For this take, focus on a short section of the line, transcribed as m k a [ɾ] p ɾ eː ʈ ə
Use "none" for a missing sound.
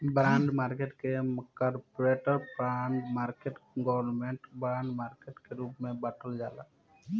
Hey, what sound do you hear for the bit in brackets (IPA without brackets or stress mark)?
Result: ɾ